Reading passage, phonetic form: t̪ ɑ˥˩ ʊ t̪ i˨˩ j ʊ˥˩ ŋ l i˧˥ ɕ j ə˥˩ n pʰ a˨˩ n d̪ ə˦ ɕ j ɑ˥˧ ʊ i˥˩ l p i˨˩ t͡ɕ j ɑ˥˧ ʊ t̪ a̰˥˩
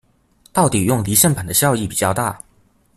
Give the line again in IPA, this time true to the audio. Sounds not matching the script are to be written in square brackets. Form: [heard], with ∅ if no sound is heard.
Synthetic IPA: t̪ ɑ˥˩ ʊ t̪ i˨˩ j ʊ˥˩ ŋ l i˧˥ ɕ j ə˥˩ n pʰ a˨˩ n d̪ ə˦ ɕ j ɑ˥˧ ʊ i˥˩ [∅] p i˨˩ t͡ɕ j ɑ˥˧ ʊ t̪ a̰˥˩